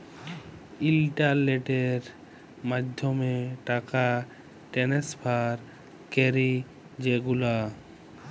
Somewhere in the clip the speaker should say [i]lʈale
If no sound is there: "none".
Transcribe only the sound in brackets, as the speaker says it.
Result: i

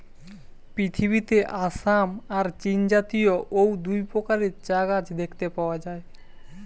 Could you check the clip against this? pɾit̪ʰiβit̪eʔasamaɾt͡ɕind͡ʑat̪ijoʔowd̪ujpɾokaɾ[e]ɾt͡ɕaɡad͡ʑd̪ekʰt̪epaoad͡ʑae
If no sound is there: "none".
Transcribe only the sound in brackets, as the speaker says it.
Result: e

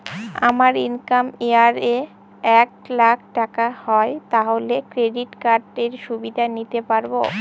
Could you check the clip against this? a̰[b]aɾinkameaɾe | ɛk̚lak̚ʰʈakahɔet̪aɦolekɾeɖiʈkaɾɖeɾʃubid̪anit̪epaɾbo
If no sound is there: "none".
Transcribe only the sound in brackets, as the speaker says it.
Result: m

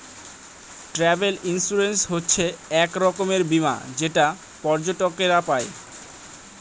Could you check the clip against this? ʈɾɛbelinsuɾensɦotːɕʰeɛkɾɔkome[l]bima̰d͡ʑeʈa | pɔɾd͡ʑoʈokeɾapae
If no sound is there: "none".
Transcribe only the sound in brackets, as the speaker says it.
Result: ɾ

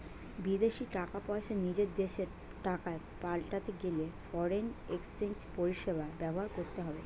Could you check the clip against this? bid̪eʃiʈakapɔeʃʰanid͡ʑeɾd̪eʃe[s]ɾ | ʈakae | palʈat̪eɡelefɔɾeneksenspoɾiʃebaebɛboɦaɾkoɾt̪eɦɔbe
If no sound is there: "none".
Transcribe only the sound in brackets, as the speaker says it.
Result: none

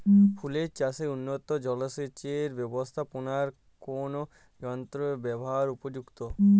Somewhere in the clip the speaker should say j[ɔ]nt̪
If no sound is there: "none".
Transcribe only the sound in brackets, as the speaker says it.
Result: ɔ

